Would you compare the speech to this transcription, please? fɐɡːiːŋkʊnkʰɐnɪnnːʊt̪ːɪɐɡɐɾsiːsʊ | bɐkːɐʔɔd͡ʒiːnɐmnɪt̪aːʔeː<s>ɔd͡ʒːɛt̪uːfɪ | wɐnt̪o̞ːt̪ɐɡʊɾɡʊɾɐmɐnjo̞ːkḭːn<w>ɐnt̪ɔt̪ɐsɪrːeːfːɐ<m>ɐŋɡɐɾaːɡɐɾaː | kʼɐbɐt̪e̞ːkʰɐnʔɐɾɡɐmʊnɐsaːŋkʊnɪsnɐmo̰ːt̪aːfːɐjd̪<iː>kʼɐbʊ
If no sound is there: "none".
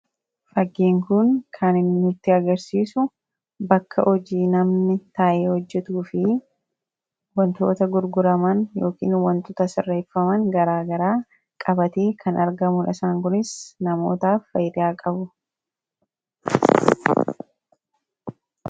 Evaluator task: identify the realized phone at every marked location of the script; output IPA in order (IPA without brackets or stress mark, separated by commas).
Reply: h, w, m, aː